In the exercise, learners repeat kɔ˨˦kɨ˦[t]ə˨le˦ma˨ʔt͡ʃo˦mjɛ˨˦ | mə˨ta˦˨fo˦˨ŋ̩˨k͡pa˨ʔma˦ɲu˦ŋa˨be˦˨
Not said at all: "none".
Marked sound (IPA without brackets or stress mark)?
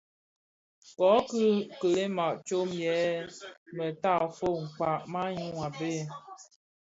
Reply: k